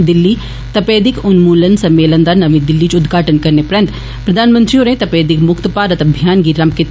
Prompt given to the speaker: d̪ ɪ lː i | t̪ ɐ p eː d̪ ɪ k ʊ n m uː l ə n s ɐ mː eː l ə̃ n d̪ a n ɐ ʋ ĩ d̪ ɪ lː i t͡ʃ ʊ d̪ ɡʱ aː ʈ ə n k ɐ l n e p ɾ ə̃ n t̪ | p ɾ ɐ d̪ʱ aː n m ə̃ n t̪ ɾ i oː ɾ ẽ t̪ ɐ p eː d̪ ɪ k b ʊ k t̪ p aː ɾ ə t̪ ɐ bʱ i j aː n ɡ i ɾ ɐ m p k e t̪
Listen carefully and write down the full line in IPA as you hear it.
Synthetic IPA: d̪ ɪ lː i | t̪ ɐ p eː d̪ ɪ k ʊ n m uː l ə n s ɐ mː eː l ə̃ n d̪ a n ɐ ʋ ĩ d̪ ɪ lː i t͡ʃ ʊ d̪ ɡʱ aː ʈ ə n k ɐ ɾ n e p ɾ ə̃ n t̪ | p ɾ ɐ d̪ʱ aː n m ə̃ n t̪ ɾ i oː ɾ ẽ t̪ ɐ p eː d̪ ɪ k m ʊ k t̪ p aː ɾ ə t̪ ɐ bʱ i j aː n ɡ i ɾ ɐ m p k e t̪